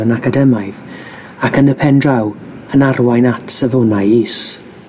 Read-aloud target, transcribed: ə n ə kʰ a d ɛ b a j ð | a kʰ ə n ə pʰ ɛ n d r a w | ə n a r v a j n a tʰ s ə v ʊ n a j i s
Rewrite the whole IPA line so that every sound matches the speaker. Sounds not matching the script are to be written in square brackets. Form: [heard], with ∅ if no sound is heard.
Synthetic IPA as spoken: ə n [a] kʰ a d ɛ [m] a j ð | a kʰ ə n ə pʰ ɛ n d r a w | ə n a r [w] a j n a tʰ s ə v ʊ n a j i s